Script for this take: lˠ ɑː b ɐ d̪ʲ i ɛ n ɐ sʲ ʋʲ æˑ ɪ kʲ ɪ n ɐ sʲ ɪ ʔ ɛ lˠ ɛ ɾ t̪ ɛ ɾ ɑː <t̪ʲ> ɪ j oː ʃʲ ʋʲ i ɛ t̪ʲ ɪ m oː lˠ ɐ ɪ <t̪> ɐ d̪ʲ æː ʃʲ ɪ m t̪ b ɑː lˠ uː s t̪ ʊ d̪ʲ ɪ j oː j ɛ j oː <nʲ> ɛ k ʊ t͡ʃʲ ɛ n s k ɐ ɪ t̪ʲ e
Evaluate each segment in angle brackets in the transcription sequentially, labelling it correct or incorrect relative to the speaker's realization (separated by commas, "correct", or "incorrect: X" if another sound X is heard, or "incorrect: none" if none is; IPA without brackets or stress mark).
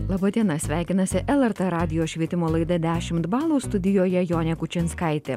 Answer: incorrect: d̪ʲ, incorrect: d̪, correct